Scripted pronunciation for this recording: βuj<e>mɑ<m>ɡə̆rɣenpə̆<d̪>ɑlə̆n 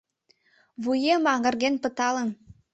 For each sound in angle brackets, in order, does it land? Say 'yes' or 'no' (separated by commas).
yes, no, no